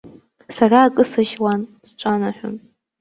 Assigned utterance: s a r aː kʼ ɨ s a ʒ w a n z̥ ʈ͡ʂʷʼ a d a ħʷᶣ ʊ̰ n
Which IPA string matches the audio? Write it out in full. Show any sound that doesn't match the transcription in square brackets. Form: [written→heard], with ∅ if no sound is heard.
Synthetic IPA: s a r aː kʼ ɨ s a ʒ w a n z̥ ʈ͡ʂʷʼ a [d→n] a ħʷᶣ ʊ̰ n